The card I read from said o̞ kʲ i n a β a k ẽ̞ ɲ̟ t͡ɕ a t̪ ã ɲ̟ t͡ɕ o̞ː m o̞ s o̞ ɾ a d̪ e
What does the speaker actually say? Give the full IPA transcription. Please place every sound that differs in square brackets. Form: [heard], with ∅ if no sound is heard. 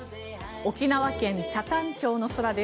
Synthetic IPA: o̞ kʲ i n a β a k ẽ̞ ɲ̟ t͡ɕ a t̪ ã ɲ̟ t͡ɕ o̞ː [n] o̞ s o̞ ɾ a d̪ e